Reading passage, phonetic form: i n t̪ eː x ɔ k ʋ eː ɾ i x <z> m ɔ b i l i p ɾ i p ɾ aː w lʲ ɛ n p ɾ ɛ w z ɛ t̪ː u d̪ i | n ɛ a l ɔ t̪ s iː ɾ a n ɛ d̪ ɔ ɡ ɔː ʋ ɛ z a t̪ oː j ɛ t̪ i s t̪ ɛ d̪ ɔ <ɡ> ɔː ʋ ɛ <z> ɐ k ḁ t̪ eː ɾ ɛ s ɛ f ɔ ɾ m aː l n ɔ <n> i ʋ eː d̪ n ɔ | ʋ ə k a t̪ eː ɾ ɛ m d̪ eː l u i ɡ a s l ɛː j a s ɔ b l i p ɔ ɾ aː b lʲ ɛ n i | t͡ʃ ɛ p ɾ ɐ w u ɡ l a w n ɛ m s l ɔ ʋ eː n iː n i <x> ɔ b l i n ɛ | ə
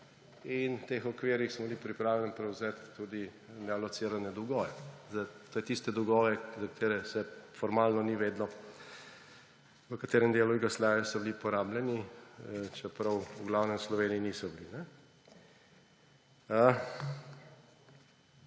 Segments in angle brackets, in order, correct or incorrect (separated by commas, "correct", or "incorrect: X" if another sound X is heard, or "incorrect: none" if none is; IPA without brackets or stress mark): incorrect: s, correct, correct, correct, incorrect: s